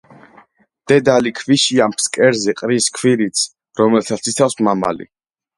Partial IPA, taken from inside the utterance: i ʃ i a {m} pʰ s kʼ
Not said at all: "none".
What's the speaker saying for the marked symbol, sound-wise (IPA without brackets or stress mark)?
m